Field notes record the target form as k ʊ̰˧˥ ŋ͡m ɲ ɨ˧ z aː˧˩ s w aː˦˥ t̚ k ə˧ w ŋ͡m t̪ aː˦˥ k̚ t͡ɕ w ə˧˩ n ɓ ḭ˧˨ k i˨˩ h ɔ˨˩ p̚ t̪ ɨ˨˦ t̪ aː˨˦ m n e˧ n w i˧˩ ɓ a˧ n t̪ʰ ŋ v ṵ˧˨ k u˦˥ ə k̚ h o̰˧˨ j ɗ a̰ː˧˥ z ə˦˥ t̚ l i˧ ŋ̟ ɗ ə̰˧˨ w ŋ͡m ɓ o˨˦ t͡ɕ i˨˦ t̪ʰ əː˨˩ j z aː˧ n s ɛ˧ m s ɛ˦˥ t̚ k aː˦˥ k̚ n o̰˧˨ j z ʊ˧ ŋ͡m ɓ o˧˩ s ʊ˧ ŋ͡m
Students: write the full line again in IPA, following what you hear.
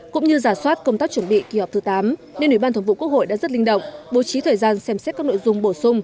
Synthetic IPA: k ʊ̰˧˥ ŋ͡m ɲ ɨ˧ z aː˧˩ s w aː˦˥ t̚ k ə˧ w ŋ͡m t̪ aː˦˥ k̚ t͡ɕ w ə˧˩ n ɓ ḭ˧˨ k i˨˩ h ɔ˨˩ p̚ t̪ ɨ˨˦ t̪ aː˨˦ m n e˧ n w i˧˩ ɓ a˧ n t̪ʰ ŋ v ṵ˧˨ k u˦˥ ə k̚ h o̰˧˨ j ɗ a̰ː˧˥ z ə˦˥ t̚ l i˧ ŋ̟ ɗ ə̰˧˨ w ŋ͡m ɓ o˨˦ t͡ɕ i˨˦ t̪ʰ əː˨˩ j z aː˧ n s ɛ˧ m s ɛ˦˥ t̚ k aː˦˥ k̚ n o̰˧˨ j z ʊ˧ ŋ͡m ɓ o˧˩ s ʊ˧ ŋ͡m

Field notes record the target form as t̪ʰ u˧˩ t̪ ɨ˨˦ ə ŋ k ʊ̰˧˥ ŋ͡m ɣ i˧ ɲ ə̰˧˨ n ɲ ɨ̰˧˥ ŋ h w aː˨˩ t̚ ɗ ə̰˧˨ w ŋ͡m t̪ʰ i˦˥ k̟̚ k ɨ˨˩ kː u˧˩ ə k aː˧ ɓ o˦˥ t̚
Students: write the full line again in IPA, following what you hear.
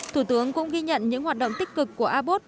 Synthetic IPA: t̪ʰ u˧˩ t̪ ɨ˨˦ ə ŋ k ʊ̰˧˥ ŋ͡m ɣ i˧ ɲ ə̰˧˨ n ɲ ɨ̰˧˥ ŋ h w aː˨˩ t̚ ɗ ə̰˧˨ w ŋ͡m t̪ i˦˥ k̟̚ k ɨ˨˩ kː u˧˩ ə ʔ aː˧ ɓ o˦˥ t̚

